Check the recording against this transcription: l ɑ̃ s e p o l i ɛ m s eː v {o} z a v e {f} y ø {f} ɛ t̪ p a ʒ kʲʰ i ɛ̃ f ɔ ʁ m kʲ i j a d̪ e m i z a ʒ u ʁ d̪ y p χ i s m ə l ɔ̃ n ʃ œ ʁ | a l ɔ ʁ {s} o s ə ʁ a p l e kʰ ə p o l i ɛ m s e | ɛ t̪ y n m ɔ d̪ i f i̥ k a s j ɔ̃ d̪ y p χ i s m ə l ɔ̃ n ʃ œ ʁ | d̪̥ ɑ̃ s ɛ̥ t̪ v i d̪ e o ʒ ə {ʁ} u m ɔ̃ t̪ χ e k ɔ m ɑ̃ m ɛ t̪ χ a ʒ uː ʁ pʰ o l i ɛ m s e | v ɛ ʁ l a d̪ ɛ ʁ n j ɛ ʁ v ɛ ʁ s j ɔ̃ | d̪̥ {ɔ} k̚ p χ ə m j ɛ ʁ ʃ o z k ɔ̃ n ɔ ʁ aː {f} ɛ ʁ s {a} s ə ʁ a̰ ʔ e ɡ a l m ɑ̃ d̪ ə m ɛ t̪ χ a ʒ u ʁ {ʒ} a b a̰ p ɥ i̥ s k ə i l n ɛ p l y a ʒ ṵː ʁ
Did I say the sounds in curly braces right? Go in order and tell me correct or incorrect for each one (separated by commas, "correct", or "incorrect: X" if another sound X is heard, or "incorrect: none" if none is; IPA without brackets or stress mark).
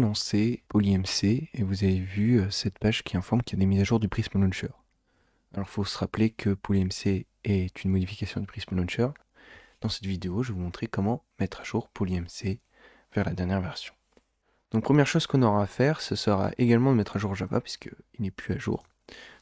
incorrect: u, incorrect: v, incorrect: s, incorrect: f, incorrect: v, incorrect: ɔ̃, correct, incorrect: ə, correct